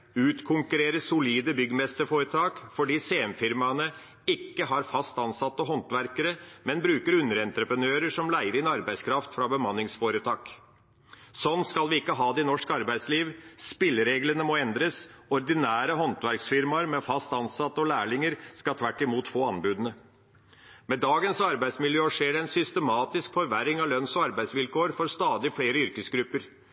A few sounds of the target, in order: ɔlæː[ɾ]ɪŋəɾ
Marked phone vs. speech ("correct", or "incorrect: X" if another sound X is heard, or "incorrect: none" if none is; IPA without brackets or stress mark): incorrect: ɭ